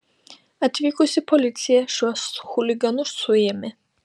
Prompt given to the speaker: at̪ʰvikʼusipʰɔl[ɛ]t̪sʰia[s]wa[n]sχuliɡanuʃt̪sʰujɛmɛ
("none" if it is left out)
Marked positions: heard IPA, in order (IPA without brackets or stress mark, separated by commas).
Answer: i, ʃ, none